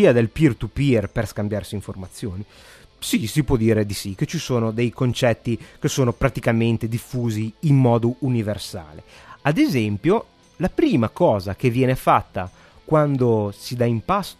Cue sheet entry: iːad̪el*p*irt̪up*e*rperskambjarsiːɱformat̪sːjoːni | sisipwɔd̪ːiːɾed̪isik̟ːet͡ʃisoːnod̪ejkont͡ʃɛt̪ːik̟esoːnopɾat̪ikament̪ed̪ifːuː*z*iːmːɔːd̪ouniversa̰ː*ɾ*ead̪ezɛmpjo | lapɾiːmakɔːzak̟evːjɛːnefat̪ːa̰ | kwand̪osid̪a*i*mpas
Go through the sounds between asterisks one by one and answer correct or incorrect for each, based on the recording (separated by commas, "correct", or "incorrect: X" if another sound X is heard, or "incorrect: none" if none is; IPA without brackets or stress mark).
correct, incorrect: i, correct, incorrect: l, correct